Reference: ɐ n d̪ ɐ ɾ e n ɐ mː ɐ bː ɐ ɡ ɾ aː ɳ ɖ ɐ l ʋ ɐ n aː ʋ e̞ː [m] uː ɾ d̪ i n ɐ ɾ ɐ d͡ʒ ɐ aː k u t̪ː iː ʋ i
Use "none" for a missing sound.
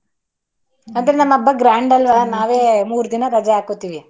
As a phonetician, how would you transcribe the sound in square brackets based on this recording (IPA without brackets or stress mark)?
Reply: m